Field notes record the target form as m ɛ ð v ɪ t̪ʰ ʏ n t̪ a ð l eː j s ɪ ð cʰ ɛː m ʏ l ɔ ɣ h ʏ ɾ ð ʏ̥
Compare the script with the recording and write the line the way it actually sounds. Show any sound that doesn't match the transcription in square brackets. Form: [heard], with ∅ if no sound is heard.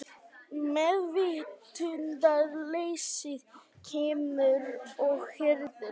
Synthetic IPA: m ɛ ð v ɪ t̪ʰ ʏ n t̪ a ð l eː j s ɪ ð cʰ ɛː m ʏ [ɾ] ɔ ɣ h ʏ ɾ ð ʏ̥